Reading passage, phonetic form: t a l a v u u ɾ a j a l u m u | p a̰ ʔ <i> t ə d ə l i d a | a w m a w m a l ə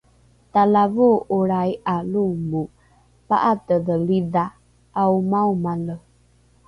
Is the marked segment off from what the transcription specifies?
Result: yes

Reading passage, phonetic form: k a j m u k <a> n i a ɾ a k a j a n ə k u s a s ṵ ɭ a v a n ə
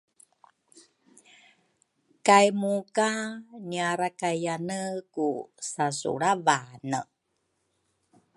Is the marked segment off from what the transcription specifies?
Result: no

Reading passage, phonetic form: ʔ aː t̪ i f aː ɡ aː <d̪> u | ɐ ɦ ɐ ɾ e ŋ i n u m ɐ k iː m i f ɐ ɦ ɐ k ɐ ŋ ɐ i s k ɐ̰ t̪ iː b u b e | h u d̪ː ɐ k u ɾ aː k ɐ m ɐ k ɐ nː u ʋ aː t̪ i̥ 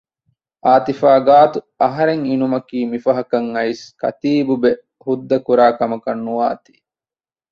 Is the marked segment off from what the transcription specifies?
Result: yes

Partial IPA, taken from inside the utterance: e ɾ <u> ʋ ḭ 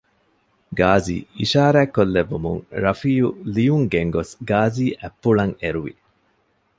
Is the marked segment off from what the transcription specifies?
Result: no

